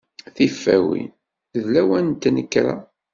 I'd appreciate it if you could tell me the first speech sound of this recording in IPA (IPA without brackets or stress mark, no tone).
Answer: θ